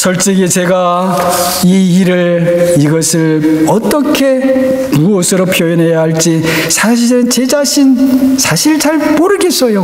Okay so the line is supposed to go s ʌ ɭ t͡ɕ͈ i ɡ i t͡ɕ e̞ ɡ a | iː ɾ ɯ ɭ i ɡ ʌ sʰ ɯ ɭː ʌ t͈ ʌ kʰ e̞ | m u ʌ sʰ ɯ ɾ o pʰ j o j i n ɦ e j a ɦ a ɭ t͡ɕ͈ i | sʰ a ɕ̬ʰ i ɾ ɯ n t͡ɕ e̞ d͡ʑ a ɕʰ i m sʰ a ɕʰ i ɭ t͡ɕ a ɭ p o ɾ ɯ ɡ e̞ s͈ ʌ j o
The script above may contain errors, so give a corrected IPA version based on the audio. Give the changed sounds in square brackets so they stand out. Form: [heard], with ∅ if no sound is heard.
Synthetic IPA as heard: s ʌ ɭ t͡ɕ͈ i ɡ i t͡ɕ e̞ ɡ a | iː ɾ ɯ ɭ i ɡ ʌ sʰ ɯ [ɭ] ʌ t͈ ʌ kʰ e̞ | m u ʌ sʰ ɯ ɾ o pʰ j o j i n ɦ e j a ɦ a ɭ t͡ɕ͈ i | sʰ a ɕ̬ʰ i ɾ ɯ n t͡ɕ e̞ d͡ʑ a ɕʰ i [n] sʰ a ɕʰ i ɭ t͡ɕ a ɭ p o ɾ ɯ ɡ e̞ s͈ ʌ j o